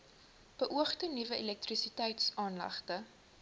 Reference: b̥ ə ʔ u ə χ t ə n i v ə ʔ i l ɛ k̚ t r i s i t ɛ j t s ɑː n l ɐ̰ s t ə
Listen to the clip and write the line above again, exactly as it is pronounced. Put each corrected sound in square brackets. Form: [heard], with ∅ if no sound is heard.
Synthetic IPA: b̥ ə ʔ u ə χ t ə n i v ə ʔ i l ɛ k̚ t r i s i t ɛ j t s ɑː n l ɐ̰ [χ] t ə